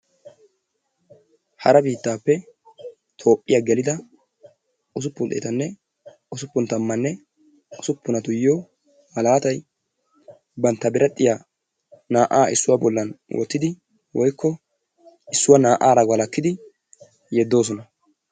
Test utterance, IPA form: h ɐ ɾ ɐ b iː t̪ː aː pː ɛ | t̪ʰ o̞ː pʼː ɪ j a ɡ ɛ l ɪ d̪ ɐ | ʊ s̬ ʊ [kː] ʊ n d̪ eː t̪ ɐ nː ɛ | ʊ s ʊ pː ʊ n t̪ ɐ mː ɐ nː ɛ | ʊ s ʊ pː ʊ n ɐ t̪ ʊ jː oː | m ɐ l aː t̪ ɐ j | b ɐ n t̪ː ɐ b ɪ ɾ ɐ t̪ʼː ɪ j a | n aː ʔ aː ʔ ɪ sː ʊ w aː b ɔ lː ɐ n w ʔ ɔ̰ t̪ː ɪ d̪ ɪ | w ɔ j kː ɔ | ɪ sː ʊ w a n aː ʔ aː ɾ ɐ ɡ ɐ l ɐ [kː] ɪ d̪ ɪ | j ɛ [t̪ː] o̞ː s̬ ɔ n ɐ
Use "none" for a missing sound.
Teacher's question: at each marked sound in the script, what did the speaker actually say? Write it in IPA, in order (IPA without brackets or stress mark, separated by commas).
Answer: pː, kː, d̪ː